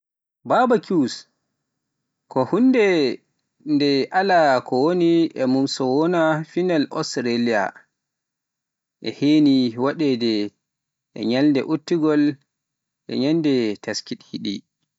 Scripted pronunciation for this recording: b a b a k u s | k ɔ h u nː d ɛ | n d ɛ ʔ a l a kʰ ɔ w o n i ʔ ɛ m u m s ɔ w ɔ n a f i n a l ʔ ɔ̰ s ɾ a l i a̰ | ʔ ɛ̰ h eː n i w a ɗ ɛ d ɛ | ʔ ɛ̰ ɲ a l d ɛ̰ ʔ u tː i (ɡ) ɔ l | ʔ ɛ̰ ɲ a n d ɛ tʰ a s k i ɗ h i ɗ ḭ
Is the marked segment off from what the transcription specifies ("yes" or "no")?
no